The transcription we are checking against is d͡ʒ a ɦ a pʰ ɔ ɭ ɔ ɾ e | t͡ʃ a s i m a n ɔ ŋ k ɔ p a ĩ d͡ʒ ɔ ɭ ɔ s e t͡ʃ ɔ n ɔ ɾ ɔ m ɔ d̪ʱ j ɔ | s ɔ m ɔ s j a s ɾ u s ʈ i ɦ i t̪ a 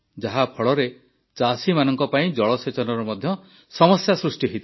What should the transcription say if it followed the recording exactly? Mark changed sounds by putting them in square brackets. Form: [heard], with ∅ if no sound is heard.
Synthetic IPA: d͡ʒ a ɦ a pʰ ɔ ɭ ɔ ɾ e | t͡ʃ a s i m a n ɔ ŋ k ɔ p a ĩ d͡ʒ ɔ ɭ ɔ s e t͡ʃ ɔ n ɔ ɾ ɔ m ɔ d̪ʱ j ɔ | s ɔ m ɔ s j a s ɾ u s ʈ i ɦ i t̪ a